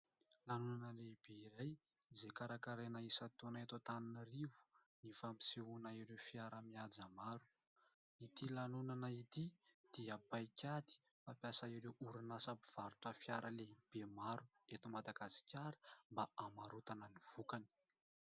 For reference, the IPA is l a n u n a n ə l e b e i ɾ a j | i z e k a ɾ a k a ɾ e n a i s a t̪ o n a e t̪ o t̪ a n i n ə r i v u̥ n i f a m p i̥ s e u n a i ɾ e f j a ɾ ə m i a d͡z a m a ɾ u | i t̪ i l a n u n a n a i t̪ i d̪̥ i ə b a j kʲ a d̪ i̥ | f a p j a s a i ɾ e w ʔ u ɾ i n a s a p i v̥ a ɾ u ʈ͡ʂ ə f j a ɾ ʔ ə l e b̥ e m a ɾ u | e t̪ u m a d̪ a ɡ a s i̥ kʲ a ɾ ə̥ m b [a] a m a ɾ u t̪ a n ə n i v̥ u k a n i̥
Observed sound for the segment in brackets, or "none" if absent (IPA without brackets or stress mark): a